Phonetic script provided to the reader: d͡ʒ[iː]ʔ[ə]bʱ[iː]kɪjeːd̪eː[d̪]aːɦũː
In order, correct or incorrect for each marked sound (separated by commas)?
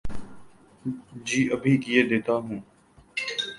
correct, correct, correct, incorrect